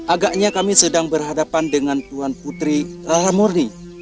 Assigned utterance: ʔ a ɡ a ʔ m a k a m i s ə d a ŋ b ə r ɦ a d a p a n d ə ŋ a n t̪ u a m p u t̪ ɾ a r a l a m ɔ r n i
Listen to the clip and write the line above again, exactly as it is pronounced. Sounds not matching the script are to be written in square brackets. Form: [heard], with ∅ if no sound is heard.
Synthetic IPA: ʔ a ɡ a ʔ [ɲ] a k a m i s ə d a ŋ b ə r ɦ a d a p a n d ə ŋ a n t̪ u a [n] p u t̪ ɾ [i] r a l a m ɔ r n i

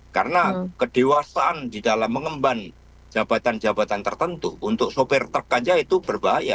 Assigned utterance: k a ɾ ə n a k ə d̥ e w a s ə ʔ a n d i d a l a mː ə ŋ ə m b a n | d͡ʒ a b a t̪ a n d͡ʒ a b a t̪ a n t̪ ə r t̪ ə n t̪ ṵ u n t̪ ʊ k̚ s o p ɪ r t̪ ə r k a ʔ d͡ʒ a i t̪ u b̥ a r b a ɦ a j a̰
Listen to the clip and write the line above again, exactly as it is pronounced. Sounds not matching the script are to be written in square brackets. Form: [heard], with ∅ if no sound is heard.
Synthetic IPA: k a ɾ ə n a k ə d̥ e w a s [a] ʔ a n d i d a l a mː ə ŋ ə m b a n | d͡ʒ a b a t̪ a n d͡ʒ a b a t̪ a n t̪ ə r t̪ ə n t̪ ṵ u n t̪ ʊ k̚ s o p ɪ r t̪ ə r k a [∅] d͡ʒ a i t̪ u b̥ [ə] r b a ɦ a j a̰

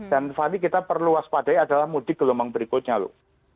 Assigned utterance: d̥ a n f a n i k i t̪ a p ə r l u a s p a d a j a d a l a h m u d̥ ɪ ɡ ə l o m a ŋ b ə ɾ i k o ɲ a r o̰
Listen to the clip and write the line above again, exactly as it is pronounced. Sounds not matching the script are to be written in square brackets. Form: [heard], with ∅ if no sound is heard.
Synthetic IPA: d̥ a n f a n i k i t̪ a p ə r l u a s p a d a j a d a l a h m u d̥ ɪ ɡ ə l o m a ŋ b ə ɾ i k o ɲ a [l] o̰

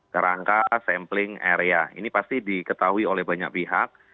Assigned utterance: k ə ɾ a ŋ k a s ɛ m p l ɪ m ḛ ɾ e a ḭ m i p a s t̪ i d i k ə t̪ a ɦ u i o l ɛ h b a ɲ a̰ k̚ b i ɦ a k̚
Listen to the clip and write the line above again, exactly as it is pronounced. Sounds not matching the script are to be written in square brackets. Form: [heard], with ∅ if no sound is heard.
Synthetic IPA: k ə ɾ a ŋ k a s ɛ m p l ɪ [ŋ] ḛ ɾ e a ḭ [n] i p a s t̪ i d i k ə t̪ a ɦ u i o l ɛ h b a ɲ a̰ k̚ [p] i ɦ a k̚

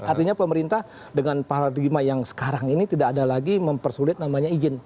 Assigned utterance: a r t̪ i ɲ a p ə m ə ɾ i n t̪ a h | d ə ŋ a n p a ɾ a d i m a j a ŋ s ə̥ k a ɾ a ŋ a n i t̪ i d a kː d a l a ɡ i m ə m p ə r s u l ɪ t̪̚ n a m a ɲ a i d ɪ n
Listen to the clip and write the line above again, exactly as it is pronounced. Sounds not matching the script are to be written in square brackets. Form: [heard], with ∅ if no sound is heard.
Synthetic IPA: a r t̪ i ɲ a p ə m ə ɾ i n t̪ a h | d ə ŋ a n p a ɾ a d i m a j a ŋ s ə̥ k a ɾ a ŋ [i] n i t̪ i d a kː d a l a ɡ i m ə m p ə r s u l ɪ t̪̚ n a m a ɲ a i [d͡ʒ] ɪ n

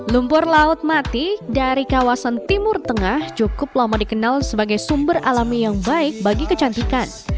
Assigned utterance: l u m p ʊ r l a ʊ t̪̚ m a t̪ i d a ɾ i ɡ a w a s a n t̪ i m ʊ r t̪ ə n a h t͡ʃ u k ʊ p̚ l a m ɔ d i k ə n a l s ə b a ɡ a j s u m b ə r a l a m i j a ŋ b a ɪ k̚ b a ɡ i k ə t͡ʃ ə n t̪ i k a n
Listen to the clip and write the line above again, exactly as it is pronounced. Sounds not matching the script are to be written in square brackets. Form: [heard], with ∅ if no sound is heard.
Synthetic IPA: l u m p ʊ r l a ʊ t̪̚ m a t̪ i d a ɾ i [k] a w a s a n t̪ i m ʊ r t̪ ə [ŋ] a h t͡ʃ u k ʊ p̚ l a m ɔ d i k ə n a l s ə b a ɡ a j s u m b ə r a l a m i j a ŋ b a ɪ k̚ b a ɡ i k ə t͡ʃ [a] n t̪ i k a n

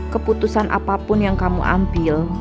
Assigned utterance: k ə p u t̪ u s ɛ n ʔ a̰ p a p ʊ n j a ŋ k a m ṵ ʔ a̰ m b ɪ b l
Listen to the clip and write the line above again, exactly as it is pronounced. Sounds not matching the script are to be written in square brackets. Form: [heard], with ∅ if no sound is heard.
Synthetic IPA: k ə p u t̪ u s [a] n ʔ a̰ p a p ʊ n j a ŋ k a m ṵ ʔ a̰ m b ɪ [∅] l

